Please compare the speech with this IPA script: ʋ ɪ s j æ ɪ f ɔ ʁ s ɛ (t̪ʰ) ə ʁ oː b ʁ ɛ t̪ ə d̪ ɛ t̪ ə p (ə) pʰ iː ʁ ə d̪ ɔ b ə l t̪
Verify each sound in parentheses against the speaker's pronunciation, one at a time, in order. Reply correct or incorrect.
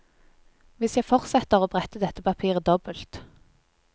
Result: incorrect: t̪, incorrect: ɑ

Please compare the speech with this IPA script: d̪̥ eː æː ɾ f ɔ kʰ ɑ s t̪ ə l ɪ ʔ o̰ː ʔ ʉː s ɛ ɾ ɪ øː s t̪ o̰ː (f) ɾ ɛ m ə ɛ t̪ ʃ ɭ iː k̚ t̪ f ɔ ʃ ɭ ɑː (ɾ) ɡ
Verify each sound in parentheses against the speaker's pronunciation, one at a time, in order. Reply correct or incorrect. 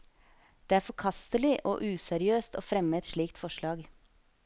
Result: correct, incorrect: none

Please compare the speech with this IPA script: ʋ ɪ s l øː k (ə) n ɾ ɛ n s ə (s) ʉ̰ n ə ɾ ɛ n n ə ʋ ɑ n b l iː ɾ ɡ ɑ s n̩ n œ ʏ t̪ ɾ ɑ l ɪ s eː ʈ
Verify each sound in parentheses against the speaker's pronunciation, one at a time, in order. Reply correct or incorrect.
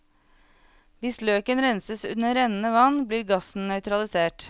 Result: correct, correct

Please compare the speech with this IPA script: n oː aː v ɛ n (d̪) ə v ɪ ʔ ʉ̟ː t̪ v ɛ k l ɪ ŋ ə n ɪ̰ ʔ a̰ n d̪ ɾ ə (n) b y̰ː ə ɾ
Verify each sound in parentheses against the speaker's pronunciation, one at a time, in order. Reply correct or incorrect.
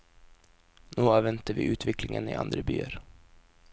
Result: incorrect: t̪, incorrect: none

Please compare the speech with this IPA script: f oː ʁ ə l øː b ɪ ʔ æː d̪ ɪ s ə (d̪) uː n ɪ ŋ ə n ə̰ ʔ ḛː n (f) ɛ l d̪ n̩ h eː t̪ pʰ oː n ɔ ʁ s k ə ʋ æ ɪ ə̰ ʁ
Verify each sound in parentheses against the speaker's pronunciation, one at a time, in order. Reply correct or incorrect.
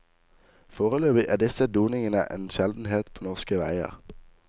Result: correct, incorrect: ʃ

